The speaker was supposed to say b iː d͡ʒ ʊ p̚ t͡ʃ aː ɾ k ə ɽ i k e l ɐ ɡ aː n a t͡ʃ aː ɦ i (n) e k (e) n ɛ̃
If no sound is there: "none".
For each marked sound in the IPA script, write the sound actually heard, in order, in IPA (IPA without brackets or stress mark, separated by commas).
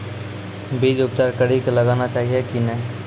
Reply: none, i